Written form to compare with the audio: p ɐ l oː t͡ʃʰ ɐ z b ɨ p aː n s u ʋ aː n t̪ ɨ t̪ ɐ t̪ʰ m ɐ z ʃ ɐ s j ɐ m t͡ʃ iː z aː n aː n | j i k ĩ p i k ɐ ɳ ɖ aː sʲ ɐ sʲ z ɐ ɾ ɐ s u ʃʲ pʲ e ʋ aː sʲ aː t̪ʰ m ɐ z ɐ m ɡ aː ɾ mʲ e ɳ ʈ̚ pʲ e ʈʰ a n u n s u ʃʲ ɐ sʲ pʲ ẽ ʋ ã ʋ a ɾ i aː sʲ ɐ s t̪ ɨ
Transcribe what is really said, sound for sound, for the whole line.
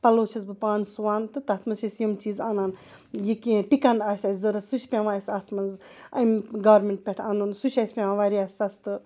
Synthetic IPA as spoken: p ɐ l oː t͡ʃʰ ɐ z b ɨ p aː n s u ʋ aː n t̪ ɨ t̪ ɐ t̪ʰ m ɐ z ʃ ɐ s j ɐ m t͡ʃ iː z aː n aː n | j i k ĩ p i k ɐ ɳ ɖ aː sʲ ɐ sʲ z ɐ ɾ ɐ s u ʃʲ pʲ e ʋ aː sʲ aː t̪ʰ m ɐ z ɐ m ɡ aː ɾ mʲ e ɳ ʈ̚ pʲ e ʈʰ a n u n s u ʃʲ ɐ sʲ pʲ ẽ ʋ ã ʋ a ɾ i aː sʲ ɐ s t̪ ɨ